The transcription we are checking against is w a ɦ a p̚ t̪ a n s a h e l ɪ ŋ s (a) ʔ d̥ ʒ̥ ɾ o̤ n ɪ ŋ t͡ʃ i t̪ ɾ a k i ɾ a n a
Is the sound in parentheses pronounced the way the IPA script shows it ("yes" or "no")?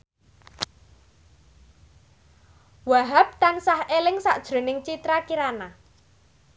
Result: yes